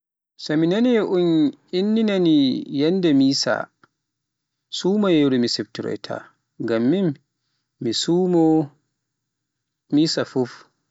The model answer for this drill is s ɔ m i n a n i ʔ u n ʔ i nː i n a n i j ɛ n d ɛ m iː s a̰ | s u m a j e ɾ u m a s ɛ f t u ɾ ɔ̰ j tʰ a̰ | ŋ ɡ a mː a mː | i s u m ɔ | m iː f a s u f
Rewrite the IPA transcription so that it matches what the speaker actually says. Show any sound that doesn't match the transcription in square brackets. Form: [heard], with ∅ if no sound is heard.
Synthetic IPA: s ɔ m i n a n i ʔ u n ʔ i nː i n a n i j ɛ n d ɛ m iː s a̰ | s u m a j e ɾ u m [i] s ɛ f t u ɾ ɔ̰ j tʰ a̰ | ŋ ɡ a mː [i] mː | i s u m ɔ | m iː [s] a [f] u f